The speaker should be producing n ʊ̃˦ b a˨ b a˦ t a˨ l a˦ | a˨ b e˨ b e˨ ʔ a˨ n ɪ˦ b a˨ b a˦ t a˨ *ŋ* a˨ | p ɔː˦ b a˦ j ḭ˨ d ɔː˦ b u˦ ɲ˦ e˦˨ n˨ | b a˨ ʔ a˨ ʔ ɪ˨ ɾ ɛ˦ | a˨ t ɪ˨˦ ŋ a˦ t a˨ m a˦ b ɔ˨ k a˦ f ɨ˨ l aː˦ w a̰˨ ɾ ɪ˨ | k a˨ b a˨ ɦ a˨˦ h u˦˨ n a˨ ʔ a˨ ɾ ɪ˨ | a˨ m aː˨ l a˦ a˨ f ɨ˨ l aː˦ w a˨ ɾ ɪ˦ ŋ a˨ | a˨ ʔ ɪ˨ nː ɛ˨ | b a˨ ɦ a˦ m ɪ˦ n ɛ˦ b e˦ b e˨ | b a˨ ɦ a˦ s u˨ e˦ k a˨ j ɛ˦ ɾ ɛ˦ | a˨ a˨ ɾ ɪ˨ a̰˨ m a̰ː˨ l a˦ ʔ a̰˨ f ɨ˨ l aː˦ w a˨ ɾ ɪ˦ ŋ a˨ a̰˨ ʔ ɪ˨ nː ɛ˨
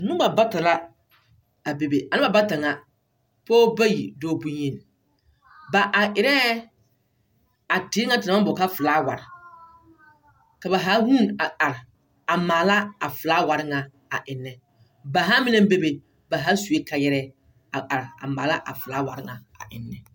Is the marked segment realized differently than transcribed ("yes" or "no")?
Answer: no